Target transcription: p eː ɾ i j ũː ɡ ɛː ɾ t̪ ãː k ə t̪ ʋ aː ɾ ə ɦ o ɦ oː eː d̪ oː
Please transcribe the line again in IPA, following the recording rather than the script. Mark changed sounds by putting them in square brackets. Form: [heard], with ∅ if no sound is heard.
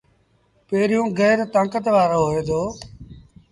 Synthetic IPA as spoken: p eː ɾ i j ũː ɡ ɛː ɾ t̪ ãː k ə t̪ ʋ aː ɾ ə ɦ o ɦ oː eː d̪ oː

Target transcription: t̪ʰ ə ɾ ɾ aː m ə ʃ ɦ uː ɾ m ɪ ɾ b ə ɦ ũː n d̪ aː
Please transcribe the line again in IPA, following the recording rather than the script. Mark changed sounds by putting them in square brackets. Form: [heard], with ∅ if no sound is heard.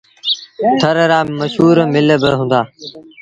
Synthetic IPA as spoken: t̪ʰ ə ɾ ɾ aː m ə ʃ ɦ uː ɾ m ɪ [l] b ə ɦ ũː n d̪ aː

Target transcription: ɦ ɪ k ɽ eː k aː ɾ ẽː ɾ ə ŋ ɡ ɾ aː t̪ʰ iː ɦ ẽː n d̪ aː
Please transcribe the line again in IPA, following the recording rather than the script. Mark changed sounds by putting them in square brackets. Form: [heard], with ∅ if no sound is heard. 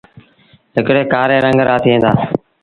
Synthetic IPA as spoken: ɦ ɪ k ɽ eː k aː ɾ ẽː ɾ ə ŋ ɡ ɾ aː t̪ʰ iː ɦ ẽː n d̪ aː

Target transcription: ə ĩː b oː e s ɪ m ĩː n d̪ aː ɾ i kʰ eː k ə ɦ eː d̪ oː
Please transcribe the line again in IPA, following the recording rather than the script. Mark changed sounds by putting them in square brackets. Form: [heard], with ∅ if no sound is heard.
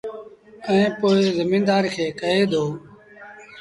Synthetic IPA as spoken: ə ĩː [p] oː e [z] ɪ m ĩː n d̪ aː ɾ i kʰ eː k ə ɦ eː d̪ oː

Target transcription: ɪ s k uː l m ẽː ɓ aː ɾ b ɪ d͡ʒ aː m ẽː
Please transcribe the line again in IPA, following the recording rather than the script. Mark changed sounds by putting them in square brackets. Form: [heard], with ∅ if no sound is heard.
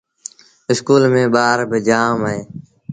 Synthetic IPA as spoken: ɪ s k uː l m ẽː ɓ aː ɾ b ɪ d͡ʒ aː m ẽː

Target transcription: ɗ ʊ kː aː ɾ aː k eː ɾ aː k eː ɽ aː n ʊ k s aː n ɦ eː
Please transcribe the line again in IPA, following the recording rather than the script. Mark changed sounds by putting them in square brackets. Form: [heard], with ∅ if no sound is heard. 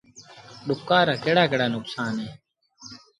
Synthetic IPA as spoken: ɗ ʊ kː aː ɾ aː k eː [ɽ] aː k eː ɽ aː n ʊ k s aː n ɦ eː

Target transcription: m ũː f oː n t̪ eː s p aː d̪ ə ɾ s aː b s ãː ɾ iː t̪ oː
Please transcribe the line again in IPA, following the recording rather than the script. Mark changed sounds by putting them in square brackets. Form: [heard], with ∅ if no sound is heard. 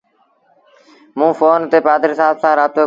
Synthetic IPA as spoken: m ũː f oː n t̪ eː [∅] p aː d̪ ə ɾ s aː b s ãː ɾ [aː] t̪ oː

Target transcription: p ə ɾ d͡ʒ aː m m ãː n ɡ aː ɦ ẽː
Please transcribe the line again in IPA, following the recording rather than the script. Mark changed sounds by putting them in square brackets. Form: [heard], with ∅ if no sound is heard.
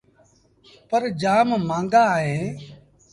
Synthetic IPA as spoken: p ə ɾ d͡ʒ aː m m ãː [ŋ] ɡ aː ɦ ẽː

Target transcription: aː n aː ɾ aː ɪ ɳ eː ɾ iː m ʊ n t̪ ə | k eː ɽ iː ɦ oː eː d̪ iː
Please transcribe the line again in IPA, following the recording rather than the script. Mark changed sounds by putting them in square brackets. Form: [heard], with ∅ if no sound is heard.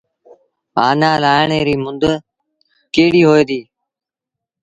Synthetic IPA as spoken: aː n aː [l] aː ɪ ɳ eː ɾ iː m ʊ n [d̪] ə | k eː ɽ iː ɦ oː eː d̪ iː

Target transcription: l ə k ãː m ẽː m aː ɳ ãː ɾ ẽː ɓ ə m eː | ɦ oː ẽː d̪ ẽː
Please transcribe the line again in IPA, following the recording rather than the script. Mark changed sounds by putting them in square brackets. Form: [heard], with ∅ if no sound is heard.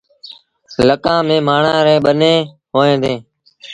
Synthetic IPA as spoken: l ə k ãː m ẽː m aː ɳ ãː ɾ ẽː ɓ ə [n] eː | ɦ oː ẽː d̪ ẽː

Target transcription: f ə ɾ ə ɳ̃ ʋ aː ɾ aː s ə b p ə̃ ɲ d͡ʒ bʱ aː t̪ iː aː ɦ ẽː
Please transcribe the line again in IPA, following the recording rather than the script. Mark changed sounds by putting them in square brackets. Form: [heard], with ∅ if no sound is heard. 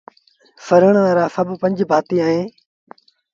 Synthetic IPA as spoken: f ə ɾ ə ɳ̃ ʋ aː ɾ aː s ə b p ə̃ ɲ d͡ʒ bʱ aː t̪ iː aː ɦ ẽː

